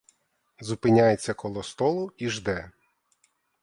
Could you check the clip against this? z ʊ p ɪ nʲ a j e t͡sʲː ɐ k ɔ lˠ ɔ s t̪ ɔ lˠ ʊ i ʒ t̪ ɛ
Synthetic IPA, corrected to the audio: z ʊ p ɪ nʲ a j e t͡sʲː ɐ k ɔ lˠ ɔ s t̪ ɔ lˠ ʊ i ʒ d̪ ɛ

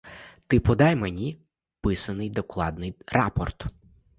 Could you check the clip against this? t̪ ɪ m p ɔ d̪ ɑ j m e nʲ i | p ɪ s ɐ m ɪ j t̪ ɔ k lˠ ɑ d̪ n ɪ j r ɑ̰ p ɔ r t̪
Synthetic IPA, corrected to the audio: t̪ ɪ p ɔ d̪ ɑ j m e nʲ i | p ɪ s ɐ n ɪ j d̪ ɔ k lˠ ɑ d̪ n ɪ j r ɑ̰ p ɔ r t̪

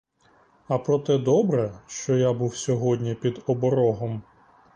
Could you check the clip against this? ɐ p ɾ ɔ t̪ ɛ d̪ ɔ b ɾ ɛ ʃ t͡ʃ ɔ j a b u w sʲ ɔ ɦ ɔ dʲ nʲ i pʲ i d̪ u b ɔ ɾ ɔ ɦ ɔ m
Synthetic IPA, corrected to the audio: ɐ p ɾ ɔ t̪ ɛ d̪ ɔ b ɾ ɛ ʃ t͡ʃ ɔ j a b u w sʲ ɔ ɦ ɔ dʲ nʲ i pʲ i d̪ ɔ b ɔ ɾ ɔ ɦ ɔ m

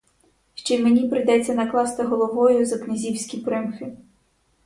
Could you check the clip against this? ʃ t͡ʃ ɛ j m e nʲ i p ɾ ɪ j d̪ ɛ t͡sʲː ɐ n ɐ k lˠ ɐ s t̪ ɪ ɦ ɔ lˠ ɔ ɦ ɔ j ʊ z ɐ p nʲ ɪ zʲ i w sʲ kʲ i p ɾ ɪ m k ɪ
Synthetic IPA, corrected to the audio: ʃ t͡ʃ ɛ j m e nʲ i p ɾ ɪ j d̪ ɛ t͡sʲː ɐ n ɐ k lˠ ɑ s t̪ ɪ ɦ ɔ lˠ ɔ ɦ ɔ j ʊ z ɐ k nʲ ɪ zʲ i w sʲ kʲ i p ɾ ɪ m x ɪ

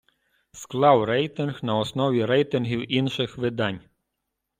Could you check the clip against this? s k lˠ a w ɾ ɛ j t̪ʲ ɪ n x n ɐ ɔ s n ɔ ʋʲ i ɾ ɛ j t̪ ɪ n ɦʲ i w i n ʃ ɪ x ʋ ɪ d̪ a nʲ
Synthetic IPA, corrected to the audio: s k lˠ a w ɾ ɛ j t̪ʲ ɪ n x n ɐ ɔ s n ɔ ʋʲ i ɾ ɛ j t̪ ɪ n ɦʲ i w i n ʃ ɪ x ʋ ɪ d̪ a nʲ

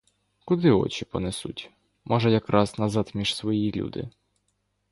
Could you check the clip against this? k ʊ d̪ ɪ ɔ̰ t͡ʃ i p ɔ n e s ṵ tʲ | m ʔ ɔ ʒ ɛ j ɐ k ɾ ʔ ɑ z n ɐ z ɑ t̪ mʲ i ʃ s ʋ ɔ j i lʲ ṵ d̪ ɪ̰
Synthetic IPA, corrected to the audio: k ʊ d̪ ɪ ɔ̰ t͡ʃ i p ɔ n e s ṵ tʲ | m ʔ ɔ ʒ ɛ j ɐ k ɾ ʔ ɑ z n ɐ z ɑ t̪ mʲ i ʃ s ʋ ɔ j i lʲ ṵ d̪ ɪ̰

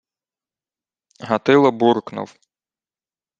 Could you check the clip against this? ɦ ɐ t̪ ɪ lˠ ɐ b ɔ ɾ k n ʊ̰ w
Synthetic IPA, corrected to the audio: ɦ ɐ t̪ ɪ lˠ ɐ b u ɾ k n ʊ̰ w

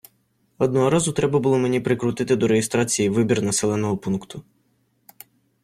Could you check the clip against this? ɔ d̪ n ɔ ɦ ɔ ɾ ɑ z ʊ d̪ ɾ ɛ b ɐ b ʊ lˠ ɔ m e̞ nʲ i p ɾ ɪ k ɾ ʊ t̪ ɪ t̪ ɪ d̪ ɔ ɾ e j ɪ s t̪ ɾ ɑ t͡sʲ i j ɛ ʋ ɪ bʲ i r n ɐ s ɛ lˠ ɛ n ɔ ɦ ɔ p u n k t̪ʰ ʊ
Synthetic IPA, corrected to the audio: ɔ d̪ n ɔ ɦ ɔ ɾ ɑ z ʊ t̪ ɾ ɛ b ɐ b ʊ lˠ ɔ m e̞ nʲ i p ɾ ɪ k ɾ ʊ t̪ ɪ t̪ ɪ d̪ ɔ ɾ e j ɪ s t̪ ɾ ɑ t͡sʲ i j i ʋ ɪ bʲ i r n ɐ s ɛ lˠ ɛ n ɔ ɦ ɔ p u n k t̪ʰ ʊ

